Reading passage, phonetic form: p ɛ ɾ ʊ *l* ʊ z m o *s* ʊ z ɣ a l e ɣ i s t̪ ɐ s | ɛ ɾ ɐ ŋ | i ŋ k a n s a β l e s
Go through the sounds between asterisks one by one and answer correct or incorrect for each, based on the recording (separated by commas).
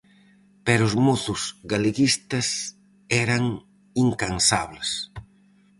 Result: incorrect, incorrect